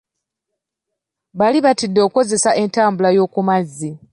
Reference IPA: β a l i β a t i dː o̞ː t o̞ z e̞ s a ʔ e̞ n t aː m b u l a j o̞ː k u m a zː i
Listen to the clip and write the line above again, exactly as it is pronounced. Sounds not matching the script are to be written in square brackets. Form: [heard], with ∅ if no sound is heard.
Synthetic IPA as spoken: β a l i β a t i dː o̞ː [k] o̞ z e̞ s a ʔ e̞ n t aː m b u l a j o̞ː k u m a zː i